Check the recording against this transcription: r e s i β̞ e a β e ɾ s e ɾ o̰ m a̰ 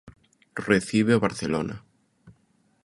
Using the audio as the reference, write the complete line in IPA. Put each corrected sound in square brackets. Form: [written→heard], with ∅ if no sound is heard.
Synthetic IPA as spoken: r e [s→θ] i β̞ e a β [e→a] ɾ [s→θ] e [ɾ→l] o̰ [m→n] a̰

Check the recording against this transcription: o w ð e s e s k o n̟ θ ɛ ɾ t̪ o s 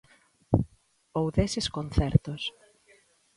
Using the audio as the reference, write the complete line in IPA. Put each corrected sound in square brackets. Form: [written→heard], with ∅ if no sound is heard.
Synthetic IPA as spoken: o w ð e s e s k o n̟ θ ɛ ɾ t̪ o s

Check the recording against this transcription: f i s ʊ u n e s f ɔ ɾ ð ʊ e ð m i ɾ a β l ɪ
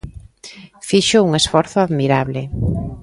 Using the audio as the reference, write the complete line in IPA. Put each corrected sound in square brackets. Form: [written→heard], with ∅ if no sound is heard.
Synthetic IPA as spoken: f i [s→ʃ] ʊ u [n→ŋ] e s f ɔ ɾ [ð→θ] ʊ [e→a] ð m i ɾ a β l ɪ

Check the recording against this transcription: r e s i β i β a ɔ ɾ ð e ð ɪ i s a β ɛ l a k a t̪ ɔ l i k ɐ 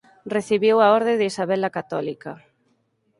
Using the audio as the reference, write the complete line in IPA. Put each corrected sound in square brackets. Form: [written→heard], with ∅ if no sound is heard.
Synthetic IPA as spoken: r e [s→θ] i β i [β→w] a ɔ ɾ ð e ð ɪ i s a β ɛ l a k a t̪ ɔ l i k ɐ

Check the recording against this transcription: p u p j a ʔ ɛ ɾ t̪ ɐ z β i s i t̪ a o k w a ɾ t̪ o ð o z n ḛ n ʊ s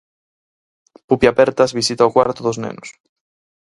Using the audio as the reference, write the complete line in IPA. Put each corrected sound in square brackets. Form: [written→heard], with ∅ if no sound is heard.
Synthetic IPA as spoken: p u p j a [ʔ→p] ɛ ɾ t̪ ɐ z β i s i t̪ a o k w a ɾ t̪ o ð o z n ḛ n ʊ s

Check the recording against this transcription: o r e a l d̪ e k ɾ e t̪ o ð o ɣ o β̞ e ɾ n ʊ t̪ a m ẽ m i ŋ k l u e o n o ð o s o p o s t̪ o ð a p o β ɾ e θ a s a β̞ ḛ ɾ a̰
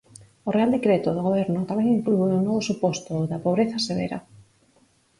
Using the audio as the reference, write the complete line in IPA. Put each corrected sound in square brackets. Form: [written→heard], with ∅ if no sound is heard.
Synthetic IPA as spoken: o r e a l d̪ e k ɾ e t̪ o ð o ɣ o β̞ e ɾ n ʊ t̪ a m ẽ [m→ŋ] i ŋ k l u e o n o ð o s [o→u] p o s t̪ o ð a p o β ɾ e θ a s [a→e] β̞ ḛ ɾ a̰

